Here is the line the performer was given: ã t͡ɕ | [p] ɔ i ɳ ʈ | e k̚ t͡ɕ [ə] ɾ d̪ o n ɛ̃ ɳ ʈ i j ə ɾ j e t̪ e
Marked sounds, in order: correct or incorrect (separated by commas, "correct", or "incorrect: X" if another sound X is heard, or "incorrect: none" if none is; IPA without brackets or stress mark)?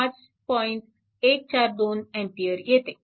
correct, incorrect: a